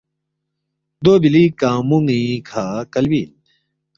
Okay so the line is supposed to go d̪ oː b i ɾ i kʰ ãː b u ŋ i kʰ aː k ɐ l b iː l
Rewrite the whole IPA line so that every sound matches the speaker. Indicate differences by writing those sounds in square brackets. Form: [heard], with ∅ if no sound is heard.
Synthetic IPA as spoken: d̪ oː b i [l] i [k] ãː [m] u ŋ i kʰ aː k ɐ l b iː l